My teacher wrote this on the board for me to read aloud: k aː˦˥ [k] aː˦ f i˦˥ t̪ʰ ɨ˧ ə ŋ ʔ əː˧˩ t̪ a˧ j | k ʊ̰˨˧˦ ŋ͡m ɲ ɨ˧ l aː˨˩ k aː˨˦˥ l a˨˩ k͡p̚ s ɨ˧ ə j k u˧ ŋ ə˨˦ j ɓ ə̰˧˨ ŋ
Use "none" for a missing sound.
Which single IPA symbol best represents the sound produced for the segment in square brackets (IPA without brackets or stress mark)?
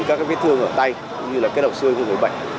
k